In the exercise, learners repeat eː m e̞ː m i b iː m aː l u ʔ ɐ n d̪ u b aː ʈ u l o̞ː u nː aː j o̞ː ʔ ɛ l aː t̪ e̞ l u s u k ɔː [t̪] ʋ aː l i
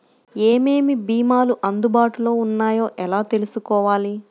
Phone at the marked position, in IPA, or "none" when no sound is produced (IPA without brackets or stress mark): none